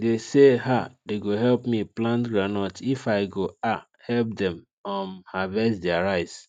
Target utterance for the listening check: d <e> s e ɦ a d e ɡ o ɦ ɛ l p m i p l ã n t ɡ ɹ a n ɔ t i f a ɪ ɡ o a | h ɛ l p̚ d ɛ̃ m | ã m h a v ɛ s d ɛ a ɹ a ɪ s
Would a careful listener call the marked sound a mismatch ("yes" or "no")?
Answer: no